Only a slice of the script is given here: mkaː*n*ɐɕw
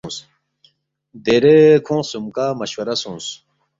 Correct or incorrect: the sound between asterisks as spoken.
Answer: incorrect: m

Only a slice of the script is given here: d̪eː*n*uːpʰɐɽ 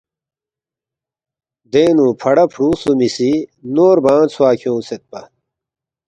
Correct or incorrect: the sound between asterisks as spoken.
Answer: correct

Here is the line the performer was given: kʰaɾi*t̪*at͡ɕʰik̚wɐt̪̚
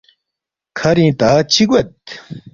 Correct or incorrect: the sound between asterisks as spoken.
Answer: correct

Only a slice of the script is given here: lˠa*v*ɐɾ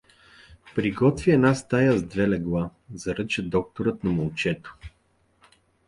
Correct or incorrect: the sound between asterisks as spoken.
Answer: incorrect: z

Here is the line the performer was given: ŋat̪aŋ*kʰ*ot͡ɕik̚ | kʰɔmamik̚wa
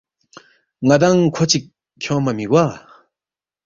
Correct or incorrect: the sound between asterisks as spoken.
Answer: correct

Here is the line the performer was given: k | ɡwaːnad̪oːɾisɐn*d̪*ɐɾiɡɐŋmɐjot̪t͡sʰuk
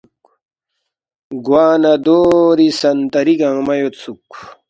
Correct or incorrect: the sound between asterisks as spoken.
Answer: incorrect: t̪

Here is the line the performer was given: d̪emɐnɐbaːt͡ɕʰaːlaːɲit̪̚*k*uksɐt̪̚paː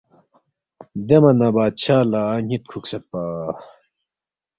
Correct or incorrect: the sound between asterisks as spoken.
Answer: incorrect: kʰ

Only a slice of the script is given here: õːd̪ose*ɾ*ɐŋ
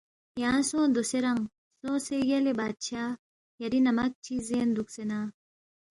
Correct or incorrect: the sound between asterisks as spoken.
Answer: correct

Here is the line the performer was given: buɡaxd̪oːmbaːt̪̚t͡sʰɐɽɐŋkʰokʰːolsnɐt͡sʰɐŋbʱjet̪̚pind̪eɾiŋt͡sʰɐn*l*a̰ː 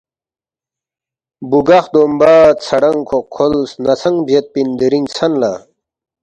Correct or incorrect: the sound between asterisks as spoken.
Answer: correct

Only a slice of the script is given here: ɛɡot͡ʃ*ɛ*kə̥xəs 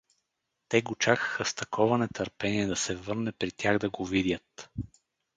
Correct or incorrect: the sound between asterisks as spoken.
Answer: incorrect: a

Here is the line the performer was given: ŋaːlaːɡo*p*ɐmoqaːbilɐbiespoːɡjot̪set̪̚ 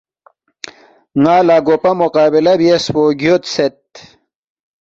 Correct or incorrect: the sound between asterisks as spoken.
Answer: correct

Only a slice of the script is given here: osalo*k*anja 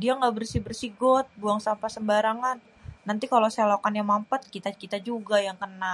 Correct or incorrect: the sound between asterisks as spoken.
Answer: correct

